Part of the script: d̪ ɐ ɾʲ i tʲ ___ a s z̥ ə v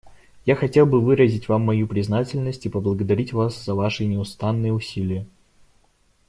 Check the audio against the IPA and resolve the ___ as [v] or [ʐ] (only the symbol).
v